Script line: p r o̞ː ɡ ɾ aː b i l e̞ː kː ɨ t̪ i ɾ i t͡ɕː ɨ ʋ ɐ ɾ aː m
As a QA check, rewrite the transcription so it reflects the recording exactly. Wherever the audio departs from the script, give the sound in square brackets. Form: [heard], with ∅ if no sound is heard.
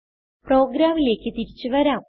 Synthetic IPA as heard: p r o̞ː ɡ ɾ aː [m] i l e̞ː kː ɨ t̪ i ɾ i t͡ɕː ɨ ʋ ɐ ɾ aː m